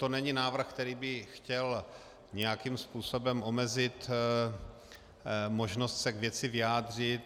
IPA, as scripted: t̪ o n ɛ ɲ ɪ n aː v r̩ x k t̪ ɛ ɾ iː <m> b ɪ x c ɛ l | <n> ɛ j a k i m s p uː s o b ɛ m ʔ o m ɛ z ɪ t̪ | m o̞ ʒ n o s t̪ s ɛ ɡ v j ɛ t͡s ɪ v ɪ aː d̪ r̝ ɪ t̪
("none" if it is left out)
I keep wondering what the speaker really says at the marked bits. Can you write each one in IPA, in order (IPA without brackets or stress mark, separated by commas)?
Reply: none, ɲ